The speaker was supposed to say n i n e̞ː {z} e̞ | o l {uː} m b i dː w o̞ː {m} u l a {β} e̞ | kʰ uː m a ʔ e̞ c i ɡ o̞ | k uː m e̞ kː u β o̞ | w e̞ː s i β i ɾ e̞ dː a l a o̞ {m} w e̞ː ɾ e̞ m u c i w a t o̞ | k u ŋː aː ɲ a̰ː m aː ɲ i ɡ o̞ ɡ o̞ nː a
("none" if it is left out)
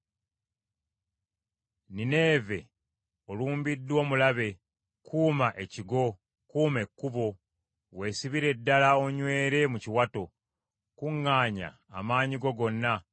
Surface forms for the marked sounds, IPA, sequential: v, uː, m, β, ɲ

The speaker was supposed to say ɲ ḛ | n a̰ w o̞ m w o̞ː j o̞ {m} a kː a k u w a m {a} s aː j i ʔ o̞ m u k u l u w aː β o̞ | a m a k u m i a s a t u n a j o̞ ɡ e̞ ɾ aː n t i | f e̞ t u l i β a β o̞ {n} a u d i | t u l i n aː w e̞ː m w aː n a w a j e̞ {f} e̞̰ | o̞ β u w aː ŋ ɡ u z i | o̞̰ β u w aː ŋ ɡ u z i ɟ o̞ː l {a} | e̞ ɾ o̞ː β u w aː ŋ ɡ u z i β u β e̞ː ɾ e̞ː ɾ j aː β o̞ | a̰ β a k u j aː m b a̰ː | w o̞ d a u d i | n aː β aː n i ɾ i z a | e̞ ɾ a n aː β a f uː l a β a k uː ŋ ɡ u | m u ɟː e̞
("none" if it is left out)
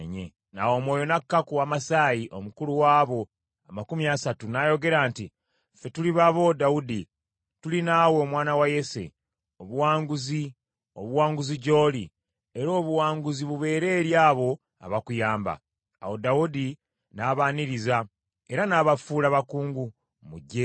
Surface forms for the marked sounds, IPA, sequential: n, a, d, s, i

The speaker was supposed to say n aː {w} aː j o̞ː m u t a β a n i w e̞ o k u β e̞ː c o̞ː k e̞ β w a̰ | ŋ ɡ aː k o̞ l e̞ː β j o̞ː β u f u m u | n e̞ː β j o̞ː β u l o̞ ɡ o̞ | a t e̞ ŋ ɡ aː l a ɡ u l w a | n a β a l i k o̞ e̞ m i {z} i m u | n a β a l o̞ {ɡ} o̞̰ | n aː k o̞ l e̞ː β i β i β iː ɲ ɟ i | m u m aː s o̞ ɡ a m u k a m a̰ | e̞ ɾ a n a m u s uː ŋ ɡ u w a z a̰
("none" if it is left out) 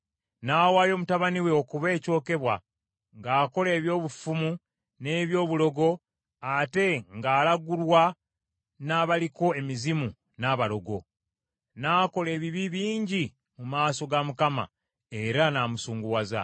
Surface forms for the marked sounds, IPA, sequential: w, z, ɡ

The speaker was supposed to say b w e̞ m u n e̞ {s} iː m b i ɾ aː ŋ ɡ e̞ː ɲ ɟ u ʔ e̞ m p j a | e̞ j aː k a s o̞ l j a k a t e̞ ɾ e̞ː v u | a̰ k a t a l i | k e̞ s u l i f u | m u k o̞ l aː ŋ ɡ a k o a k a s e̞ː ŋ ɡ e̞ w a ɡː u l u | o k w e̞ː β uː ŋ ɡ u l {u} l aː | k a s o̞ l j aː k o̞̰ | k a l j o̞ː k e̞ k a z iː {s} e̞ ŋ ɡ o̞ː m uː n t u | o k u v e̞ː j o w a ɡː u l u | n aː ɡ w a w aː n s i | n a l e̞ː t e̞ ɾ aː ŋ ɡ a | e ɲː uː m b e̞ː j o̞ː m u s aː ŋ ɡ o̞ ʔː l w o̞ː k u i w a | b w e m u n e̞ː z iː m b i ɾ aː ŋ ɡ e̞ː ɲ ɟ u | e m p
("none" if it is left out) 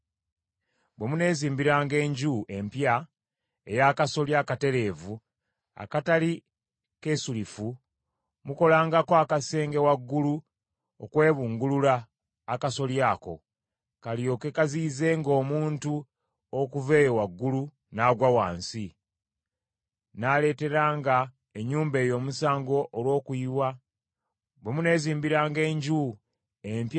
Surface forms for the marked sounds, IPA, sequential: z, u, z

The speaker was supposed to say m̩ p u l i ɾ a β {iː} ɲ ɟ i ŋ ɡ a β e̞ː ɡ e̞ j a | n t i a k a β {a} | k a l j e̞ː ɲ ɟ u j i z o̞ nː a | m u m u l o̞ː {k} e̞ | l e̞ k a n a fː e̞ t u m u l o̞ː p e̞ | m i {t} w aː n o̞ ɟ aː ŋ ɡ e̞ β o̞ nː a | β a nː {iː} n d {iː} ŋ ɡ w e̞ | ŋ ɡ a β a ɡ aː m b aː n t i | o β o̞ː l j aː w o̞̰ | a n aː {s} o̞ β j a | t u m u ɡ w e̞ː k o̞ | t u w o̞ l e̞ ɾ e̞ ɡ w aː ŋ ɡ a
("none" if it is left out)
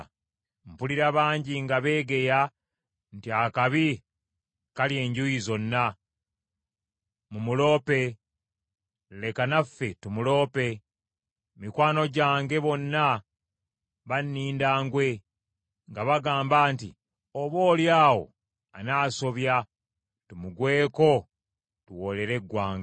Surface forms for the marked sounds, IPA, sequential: aː, i, p, k, iː, aː, s

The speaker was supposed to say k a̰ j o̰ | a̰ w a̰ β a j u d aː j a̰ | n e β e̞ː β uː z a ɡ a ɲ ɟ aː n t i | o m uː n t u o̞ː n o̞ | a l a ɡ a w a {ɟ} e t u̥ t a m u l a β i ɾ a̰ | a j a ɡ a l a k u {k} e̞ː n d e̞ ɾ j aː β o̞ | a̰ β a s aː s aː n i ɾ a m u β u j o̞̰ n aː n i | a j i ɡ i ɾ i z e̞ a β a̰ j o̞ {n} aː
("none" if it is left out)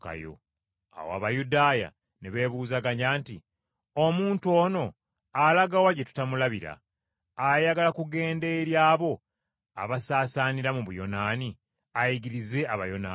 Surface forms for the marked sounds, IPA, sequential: ɟ, ɡ, n

